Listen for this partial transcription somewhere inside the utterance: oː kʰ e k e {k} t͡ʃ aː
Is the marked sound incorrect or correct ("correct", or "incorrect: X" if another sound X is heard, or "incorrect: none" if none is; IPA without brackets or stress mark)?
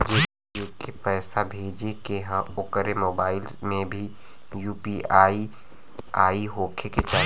incorrect: none